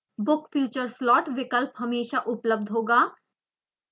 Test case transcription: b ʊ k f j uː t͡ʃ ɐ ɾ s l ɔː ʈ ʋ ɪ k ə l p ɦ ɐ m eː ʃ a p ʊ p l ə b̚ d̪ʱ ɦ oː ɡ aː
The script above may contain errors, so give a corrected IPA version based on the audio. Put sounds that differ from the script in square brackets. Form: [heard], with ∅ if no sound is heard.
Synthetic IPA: b ʊ k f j uː t͡ʃ [ə] ɾ s l ɔː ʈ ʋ ɪ k ə l p ɦ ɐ m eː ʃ a [ʔ] ʊ p l ə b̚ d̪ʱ ɦ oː ɡ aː